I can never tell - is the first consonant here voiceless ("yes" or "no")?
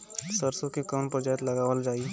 yes